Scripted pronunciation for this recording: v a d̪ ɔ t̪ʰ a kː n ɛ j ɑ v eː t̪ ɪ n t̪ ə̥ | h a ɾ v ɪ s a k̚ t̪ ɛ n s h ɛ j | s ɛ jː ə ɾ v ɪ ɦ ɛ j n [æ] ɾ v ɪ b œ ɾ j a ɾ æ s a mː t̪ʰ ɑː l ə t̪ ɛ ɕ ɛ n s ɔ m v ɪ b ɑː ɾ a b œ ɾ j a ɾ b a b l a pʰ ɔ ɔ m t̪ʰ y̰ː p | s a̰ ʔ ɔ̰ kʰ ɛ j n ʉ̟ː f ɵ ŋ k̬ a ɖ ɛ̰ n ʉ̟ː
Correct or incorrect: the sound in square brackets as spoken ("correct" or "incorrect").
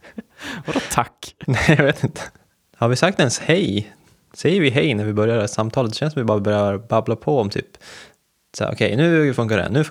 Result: correct